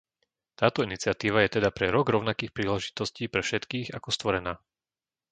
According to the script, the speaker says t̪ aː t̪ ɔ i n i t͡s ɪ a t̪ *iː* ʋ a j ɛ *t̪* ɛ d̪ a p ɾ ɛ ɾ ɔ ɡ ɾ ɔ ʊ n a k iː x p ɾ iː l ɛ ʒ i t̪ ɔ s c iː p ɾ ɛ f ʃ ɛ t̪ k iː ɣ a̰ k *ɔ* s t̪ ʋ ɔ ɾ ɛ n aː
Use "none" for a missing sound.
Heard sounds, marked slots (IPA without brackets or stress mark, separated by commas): iː, t̪, ɔ